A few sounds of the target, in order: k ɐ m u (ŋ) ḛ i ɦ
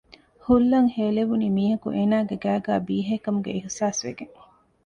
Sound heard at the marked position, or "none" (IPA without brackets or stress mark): ɡ